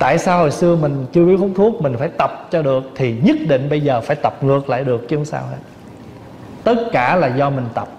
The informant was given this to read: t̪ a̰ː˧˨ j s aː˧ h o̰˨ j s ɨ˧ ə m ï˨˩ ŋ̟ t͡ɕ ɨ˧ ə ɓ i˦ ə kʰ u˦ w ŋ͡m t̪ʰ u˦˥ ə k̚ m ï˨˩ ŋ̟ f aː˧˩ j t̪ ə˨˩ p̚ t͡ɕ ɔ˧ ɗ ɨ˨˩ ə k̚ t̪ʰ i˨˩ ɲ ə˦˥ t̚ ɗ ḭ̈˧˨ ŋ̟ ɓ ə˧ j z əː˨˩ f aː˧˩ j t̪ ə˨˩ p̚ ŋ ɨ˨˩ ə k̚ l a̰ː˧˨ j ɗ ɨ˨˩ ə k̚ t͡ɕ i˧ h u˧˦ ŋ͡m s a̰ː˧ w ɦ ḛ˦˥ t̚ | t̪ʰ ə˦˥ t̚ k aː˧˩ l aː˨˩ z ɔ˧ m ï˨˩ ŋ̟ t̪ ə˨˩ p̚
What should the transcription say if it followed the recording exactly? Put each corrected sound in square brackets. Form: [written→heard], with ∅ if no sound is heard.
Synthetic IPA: t̪ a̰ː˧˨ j s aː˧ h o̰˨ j s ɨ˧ ə m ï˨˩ ŋ̟ t͡ɕ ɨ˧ ə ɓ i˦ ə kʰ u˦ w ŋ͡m t̪ʰ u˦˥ ə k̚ m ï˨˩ ŋ̟ f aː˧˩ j t̪ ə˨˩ p̚ t͡ɕ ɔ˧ ɗ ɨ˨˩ ə k̚ t̪ʰ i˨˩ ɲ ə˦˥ t̚ ɗ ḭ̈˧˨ ŋ̟ ɓ ə˧ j z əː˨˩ f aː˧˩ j t̪ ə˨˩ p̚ ŋ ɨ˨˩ ə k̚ l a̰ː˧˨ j ɗ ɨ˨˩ ə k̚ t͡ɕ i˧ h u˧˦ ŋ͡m s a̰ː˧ w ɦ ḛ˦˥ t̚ | [t̪ʰ→t̪] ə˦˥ t̚ k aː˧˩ l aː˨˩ z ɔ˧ m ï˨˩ ŋ̟ t̪ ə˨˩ p̚

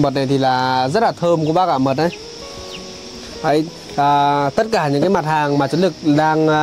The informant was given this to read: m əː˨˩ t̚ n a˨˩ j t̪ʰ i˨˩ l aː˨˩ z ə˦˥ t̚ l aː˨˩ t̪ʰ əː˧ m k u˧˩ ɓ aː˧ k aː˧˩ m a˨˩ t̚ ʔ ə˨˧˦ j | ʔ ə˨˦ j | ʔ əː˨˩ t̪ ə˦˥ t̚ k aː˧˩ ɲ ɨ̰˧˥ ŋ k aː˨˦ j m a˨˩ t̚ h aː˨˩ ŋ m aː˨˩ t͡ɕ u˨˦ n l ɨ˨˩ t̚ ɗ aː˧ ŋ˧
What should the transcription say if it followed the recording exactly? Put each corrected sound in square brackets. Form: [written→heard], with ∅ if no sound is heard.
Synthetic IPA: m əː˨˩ t̚ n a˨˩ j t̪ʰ i˨˩ l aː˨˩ z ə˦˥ t̚ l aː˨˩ t̪ʰ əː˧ m k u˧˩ ɓ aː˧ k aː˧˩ m [a˨˩→ə˨˩] t̚ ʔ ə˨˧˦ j | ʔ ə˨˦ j | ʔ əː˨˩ t̪ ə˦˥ t̚ k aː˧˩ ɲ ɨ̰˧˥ ŋ k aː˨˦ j m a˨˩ t̚ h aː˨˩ ŋ m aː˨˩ t͡ɕ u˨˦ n l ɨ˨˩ [t̚→k̚] ɗ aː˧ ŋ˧

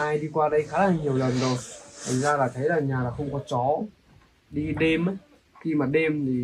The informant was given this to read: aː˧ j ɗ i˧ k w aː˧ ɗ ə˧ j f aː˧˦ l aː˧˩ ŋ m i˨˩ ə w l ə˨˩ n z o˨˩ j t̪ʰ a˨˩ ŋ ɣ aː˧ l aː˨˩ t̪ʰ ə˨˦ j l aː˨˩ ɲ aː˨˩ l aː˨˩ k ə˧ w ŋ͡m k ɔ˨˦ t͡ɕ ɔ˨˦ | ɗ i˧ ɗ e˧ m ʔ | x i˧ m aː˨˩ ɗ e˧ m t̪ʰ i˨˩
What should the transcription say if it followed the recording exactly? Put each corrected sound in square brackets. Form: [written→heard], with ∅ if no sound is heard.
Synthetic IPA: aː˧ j ɗ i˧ k w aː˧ ɗ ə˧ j [f→x] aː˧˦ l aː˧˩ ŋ [m→ɲ] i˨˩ ə w l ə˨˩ n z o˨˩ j t̪ʰ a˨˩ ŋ [ɣ→z] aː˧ l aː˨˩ t̪ʰ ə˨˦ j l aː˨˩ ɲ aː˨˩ l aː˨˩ [k→x] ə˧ w ŋ͡m k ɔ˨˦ t͡ɕ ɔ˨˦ | ɗ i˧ ɗ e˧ m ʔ | x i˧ m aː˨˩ ɗ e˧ m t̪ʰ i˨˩

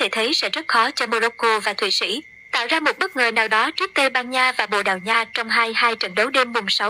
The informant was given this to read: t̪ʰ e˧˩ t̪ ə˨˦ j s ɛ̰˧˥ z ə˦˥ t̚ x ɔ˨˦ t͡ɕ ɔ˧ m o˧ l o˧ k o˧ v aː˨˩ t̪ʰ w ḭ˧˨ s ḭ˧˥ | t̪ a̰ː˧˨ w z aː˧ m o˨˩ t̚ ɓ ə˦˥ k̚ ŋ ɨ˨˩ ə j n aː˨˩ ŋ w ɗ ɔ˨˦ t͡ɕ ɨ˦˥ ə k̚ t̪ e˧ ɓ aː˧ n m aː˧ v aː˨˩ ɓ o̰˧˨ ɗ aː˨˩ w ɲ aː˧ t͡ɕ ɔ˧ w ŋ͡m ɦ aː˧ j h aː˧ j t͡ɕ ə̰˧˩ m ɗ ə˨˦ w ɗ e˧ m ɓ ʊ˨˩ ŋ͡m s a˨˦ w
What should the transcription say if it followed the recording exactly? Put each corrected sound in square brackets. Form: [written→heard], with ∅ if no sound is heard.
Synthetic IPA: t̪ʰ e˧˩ [t̪→t̪ʰ] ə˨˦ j s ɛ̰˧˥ z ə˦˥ t̚ x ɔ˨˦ t͡ɕ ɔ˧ m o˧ l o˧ k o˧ v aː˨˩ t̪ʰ w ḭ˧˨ s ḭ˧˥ | t̪ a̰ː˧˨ w z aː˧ m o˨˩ t̚ ɓ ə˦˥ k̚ ŋ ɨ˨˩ ə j n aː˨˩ [ŋ→∅] w ɗ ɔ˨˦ t͡ɕ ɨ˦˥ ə k̚ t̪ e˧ ɓ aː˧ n [m→ɲ] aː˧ v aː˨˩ ɓ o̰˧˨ ɗ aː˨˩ w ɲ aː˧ t͡ɕ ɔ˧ w ŋ͡m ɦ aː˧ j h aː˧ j t͡ɕ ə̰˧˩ [m→n] ɗ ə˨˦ w ɗ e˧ m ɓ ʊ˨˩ ŋ͡m s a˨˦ w

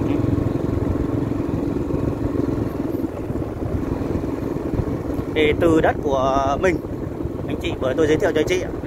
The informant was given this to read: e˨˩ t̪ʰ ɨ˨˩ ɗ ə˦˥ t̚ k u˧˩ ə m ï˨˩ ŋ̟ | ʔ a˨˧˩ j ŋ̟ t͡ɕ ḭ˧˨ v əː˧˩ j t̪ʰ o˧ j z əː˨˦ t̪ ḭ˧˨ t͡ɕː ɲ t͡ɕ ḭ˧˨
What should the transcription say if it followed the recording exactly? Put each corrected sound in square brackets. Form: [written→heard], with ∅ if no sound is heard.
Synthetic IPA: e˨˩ [t̪ʰ→t̪] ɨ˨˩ ɗ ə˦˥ t̚ k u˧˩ ə m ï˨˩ ŋ̟ | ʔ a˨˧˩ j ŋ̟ t͡ɕ ḭ˧˨ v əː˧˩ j [t̪ʰ→t̪] o˧ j z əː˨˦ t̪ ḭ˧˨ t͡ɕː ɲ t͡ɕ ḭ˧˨

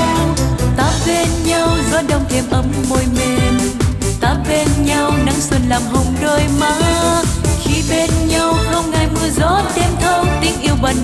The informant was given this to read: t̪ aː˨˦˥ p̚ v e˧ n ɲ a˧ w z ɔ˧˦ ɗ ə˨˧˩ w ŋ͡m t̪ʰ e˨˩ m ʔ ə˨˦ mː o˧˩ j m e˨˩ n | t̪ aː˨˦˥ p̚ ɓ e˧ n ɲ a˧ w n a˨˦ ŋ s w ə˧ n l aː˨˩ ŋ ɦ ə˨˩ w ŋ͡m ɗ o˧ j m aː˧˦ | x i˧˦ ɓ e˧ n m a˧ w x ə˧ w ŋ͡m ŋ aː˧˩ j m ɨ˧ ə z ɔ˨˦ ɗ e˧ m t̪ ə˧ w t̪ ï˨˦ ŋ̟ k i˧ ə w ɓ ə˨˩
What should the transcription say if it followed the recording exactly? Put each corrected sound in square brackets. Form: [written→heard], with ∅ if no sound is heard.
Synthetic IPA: t̪ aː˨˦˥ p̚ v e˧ n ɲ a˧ w z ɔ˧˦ ɗ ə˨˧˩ w ŋ͡m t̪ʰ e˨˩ m ʔ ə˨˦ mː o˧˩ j m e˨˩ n | t̪ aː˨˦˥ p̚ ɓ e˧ n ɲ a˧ w n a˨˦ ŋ s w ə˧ n l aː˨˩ [ŋ→m] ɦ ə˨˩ w ŋ͡m ɗ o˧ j m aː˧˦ | x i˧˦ ɓ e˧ n [m→ɲ] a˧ w x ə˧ w ŋ͡m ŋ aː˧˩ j m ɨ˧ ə z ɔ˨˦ ɗ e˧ m [t̪→t̪ʰ] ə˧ w t̪ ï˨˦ ŋ̟ [k→ʔ] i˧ ə w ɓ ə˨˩

